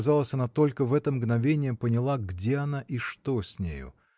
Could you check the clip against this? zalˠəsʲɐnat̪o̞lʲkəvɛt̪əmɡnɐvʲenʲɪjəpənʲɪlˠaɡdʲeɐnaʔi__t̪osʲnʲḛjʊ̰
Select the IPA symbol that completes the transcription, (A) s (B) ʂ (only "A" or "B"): B